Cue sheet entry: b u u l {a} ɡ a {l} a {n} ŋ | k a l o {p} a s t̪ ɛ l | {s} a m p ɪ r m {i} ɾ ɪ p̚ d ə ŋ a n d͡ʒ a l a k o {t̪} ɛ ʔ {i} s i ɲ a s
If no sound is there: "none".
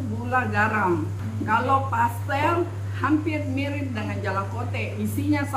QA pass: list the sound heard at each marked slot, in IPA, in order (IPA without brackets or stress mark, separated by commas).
a, ɾ, none, p, h, i, t̪, i